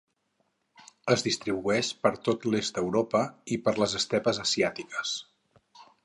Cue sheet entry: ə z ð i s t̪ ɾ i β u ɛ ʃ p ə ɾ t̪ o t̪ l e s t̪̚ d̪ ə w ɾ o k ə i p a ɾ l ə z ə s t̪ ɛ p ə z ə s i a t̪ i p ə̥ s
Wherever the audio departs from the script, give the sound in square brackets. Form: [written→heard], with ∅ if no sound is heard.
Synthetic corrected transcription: ə z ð i s t̪ ɾ i β u ɛ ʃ p ə ɾ t̪ o t̪ l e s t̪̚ d̪ ə w ɾ o [k→p] ə i p [a→ə] ɾ l ə z ə s t̪ ɛ p ə z ə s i a t̪ i [p→k] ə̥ s

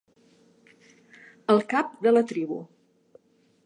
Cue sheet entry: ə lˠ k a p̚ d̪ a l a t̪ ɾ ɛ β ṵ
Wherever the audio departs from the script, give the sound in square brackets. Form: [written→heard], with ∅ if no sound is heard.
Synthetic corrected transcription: ə lˠ k a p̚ d̪ [a→ə] l [a→ə] t̪ ɾ [ɛ→i] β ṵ

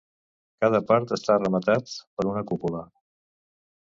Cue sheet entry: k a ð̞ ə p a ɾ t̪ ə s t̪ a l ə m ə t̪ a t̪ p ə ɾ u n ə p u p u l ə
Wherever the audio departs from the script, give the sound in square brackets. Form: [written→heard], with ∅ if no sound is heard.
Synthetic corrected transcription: k a ð̞ ə p a ɾ t̪ ə s t̪ a [l→r] ə m ə t̪ a t̪ p ə ɾ u n ə [p→k] u p u l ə

